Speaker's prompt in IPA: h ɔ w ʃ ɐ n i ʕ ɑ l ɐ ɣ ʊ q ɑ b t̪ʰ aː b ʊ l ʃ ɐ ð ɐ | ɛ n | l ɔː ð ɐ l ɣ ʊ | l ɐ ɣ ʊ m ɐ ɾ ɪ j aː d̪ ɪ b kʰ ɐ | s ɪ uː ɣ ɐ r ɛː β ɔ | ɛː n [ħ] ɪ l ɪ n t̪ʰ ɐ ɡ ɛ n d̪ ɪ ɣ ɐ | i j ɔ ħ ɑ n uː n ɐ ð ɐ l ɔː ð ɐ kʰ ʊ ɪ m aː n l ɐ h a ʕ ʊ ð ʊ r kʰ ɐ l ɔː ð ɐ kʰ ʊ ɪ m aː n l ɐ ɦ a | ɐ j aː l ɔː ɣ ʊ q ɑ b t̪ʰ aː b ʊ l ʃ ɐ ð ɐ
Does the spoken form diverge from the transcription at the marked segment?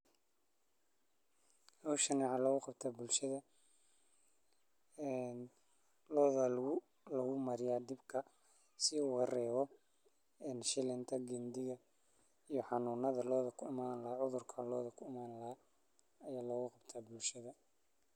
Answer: yes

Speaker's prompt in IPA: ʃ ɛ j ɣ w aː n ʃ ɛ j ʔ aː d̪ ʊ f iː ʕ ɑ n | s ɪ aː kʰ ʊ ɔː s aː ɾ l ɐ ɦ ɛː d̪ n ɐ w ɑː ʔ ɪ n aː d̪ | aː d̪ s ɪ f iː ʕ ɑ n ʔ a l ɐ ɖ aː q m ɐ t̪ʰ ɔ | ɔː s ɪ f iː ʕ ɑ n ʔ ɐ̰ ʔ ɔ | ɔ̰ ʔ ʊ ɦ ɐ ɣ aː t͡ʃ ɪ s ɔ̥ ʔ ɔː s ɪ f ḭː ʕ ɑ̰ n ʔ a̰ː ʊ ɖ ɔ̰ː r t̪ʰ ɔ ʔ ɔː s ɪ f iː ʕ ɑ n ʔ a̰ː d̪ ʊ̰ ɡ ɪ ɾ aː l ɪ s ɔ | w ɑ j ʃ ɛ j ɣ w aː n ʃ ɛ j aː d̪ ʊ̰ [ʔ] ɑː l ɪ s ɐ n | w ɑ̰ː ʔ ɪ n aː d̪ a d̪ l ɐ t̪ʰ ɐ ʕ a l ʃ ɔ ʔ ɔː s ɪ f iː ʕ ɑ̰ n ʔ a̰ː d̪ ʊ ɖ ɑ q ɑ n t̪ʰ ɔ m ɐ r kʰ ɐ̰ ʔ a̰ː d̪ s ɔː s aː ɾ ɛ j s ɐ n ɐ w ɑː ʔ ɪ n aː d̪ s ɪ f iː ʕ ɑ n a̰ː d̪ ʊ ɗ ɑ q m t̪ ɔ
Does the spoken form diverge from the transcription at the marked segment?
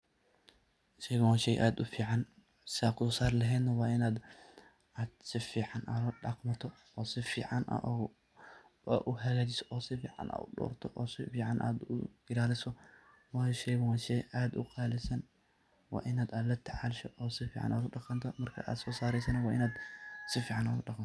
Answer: yes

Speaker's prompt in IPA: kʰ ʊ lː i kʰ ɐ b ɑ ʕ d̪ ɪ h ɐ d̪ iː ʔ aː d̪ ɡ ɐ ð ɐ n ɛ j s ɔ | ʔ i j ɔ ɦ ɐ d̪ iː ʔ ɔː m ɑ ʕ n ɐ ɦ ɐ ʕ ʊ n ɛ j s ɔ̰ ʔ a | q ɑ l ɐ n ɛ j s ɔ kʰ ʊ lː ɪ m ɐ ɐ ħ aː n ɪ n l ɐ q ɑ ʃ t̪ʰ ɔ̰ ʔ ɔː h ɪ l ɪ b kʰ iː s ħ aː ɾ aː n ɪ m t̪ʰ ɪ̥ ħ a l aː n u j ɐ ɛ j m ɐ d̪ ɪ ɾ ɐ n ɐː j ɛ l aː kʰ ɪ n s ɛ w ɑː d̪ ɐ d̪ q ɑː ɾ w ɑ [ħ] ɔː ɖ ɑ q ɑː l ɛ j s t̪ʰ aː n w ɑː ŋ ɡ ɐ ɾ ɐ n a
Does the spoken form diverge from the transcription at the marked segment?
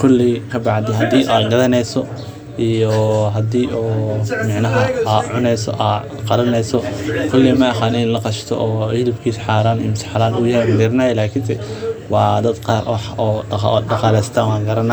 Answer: no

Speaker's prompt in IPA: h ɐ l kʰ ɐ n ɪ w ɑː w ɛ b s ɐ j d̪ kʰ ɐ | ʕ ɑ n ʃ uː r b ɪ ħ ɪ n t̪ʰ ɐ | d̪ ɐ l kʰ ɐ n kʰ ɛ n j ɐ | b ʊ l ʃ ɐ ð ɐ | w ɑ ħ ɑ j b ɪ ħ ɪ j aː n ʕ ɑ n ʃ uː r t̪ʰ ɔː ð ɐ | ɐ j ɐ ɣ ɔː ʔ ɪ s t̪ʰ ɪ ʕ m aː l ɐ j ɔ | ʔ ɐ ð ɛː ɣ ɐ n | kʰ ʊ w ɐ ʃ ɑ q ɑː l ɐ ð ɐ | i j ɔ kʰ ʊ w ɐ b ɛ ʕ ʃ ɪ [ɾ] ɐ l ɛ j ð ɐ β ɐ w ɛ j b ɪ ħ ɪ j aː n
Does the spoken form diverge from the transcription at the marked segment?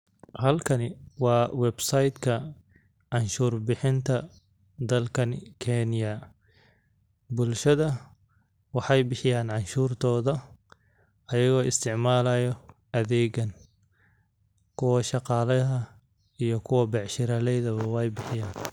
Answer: no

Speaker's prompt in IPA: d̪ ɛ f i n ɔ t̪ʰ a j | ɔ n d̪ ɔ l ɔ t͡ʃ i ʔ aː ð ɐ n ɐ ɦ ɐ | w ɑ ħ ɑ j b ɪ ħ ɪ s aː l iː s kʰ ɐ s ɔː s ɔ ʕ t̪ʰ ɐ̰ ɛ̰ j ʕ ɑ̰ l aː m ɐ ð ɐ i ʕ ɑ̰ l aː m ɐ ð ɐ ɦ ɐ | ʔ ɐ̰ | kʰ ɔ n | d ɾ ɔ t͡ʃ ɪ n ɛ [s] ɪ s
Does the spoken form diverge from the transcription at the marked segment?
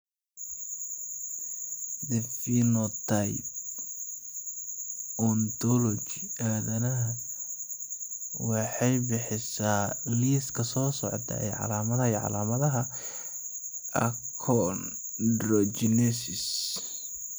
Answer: no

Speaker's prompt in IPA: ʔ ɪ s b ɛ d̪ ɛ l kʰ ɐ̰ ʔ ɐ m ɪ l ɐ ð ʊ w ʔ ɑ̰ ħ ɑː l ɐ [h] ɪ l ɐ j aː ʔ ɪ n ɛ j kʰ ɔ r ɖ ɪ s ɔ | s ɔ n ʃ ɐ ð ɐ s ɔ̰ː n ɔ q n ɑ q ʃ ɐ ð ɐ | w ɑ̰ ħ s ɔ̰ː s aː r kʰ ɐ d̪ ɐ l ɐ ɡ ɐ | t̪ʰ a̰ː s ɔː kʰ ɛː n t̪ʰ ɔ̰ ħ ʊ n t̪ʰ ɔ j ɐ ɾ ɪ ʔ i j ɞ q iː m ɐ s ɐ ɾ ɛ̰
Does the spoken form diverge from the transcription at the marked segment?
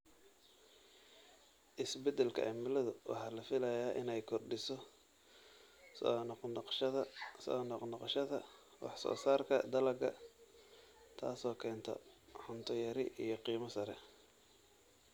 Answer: yes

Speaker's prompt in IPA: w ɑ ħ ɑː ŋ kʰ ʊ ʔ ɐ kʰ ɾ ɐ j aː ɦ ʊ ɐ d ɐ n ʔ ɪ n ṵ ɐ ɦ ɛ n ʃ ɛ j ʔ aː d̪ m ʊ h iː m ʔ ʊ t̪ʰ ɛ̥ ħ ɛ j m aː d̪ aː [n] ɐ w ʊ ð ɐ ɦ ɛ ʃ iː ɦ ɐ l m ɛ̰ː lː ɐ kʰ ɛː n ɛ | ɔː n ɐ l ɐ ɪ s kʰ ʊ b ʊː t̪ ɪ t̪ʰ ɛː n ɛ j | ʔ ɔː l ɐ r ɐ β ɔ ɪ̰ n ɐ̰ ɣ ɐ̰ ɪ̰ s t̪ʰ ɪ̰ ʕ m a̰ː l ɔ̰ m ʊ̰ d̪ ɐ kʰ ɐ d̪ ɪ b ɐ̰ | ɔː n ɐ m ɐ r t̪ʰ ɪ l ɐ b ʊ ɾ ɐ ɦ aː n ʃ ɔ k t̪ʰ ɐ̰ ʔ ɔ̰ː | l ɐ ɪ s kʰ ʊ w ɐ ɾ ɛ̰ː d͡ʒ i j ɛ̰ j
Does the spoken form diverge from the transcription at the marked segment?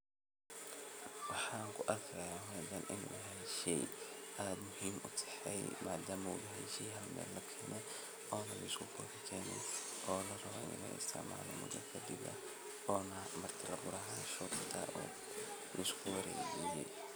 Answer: yes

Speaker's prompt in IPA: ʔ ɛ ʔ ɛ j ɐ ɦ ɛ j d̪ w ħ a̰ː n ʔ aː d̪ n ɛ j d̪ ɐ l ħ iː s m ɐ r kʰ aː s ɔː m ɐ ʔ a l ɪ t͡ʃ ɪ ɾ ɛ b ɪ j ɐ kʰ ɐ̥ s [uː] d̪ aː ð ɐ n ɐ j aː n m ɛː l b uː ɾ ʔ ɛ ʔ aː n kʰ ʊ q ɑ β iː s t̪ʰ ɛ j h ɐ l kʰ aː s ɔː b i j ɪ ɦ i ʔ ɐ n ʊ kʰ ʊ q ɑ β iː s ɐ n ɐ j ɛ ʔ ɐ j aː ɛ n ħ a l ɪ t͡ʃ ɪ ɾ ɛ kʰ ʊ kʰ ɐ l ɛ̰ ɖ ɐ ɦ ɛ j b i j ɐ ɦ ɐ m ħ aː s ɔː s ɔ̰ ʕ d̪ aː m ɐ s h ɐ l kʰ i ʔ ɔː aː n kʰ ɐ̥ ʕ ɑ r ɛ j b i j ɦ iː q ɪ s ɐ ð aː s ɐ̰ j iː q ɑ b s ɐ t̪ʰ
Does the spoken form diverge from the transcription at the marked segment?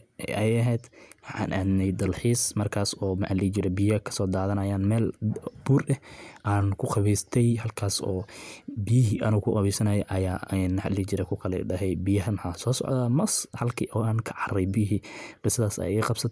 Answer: yes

